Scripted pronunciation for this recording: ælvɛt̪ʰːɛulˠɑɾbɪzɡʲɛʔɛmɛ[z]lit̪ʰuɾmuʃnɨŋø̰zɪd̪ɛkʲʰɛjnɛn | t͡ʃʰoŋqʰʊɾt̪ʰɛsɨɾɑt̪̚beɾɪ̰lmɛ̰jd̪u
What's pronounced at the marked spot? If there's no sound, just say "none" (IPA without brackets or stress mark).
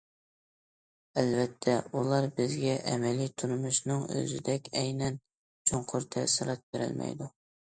none